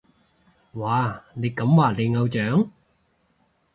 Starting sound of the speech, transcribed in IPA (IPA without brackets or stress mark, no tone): w